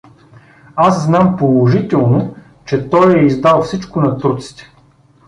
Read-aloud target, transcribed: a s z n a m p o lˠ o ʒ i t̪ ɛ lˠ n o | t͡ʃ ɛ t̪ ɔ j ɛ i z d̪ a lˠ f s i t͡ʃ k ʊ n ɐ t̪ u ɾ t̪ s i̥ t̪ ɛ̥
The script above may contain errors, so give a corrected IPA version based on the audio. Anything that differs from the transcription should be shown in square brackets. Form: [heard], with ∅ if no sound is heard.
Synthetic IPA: a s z n a m p o lˠ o ʒ i t̪ ɛ lˠ n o | t͡ʃ ɛ t̪ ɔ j ɛ i z d̪ a lˠ f s i t͡ʃ k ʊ n ɐ t̪ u ɾ t̪ s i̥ t̪ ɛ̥